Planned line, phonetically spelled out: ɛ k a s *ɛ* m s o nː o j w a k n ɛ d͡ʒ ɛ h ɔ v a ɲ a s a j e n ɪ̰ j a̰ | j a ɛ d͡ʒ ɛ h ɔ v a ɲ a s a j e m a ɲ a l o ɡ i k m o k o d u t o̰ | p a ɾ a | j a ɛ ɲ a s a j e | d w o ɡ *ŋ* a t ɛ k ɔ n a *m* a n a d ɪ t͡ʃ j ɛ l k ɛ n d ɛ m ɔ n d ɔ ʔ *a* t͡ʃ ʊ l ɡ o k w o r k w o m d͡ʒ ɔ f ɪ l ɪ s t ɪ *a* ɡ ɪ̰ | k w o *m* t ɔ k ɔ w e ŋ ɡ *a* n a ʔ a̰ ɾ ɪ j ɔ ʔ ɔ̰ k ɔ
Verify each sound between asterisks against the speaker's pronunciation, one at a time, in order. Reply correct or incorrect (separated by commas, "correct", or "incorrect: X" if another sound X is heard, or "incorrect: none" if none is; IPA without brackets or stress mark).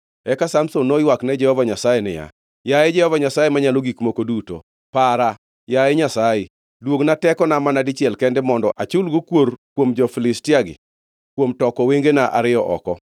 incorrect: a, incorrect: n, correct, correct, correct, correct, incorrect: e